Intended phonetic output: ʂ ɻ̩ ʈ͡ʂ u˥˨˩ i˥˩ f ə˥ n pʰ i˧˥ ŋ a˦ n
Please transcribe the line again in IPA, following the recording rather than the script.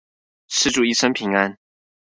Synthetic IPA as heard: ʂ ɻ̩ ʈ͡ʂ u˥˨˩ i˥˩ ʂ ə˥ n pʰ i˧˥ ŋ a˦ n

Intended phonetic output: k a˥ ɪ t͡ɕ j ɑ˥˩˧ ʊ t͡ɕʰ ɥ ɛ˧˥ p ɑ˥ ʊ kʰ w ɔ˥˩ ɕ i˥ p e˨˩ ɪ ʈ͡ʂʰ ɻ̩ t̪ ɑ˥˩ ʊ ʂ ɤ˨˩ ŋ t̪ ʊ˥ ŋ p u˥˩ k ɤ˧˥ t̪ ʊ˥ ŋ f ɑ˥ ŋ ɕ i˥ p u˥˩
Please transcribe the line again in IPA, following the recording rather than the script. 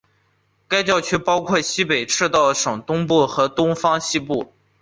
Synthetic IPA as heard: k a˥ ɪ t͡ɕ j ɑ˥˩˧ ʊ t͡ɕʰ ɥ ɛ˥ p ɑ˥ ʊ kʰ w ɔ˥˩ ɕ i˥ p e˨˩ ɪ ʈ͡ʂʰ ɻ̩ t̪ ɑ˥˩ ʊ ʂ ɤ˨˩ ŋ t̪ ʊ˥ ŋ p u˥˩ x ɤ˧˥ t̪ ʊ˥ ŋ f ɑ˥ ŋ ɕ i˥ p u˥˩

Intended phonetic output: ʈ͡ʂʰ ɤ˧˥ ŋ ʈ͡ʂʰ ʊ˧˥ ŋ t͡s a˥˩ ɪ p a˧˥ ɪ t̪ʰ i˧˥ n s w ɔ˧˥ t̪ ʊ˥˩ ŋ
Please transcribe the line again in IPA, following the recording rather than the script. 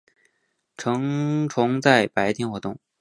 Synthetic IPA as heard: ʈ͡ʂʰ ɤ˧˥ ŋ ʈ͡ʂʰ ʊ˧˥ ŋ t͡s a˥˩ ɪ p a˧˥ ɪ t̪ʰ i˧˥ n x w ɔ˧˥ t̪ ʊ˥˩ ŋ

